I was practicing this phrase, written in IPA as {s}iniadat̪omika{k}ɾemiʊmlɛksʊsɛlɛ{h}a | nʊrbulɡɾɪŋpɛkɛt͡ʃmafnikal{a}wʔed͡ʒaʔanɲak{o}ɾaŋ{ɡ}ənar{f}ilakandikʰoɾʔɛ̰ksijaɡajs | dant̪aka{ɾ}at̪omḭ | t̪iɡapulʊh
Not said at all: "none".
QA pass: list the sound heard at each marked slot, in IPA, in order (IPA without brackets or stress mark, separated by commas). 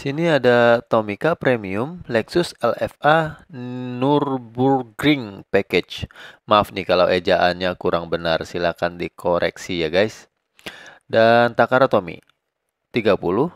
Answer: s, p, f, a, u, b, s, ɾ